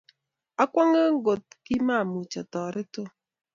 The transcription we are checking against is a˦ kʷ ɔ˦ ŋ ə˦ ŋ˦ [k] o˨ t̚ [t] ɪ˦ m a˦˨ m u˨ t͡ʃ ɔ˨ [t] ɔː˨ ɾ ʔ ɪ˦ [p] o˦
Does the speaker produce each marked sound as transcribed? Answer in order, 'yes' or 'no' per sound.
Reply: no, no, yes, no

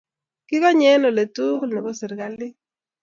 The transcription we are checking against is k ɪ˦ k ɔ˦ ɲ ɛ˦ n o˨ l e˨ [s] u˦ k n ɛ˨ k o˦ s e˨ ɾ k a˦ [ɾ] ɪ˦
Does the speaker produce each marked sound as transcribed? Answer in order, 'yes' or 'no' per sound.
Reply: no, no

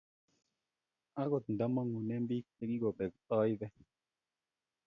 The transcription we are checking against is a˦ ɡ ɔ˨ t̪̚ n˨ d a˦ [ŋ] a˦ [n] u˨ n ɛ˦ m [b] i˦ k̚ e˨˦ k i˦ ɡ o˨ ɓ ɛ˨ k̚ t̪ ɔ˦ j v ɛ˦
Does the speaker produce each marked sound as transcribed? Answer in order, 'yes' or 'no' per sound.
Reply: no, no, yes

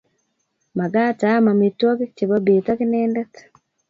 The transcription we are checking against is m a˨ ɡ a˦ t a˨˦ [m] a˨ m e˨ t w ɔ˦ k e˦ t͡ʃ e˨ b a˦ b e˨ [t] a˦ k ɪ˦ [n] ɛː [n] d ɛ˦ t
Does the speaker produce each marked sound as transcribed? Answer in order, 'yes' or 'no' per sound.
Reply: yes, yes, yes, yes

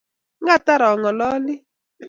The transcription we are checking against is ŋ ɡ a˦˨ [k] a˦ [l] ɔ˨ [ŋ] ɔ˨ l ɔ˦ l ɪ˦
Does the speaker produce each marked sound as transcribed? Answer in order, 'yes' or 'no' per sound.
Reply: no, no, yes

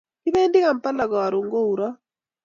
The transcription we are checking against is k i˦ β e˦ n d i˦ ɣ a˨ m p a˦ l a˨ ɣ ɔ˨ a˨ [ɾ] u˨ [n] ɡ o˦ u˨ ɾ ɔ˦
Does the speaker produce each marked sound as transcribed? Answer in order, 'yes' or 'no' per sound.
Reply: yes, no

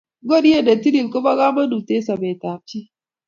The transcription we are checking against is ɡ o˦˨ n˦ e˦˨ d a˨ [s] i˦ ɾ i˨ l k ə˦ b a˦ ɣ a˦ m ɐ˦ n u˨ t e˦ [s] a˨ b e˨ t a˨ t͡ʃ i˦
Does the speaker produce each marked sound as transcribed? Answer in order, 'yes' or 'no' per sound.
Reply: no, yes

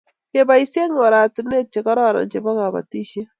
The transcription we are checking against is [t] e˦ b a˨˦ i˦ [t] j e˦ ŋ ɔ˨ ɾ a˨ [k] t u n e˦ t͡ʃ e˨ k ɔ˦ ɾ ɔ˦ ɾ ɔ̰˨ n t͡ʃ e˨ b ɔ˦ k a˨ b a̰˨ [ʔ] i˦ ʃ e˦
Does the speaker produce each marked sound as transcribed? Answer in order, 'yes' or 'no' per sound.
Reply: no, no, no, no

